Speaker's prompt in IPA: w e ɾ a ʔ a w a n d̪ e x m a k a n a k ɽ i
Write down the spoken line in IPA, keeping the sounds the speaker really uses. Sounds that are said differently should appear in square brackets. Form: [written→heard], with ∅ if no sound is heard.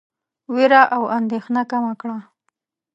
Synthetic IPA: w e ɾ a ʔ a w a n d̪ e x [m→n] a k a [n→m] a k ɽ [i→a]